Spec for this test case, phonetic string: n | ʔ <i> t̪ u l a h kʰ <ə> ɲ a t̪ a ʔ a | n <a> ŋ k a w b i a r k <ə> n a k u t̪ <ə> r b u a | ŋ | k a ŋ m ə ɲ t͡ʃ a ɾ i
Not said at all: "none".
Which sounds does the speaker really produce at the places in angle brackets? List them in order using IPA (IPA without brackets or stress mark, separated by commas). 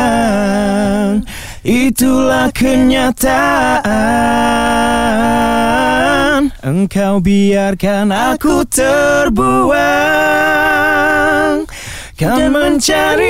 i, ə, ə, a, ə